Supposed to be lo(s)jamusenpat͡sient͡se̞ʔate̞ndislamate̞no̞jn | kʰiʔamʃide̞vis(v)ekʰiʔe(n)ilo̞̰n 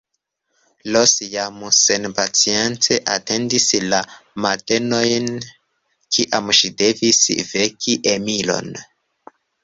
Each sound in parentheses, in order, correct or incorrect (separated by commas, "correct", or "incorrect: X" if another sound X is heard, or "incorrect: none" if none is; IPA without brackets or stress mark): correct, correct, incorrect: m